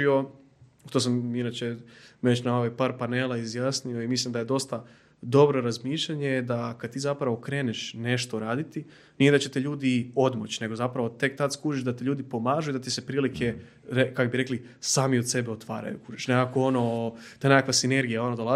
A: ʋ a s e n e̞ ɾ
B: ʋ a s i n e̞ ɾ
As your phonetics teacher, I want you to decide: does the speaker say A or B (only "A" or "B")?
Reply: B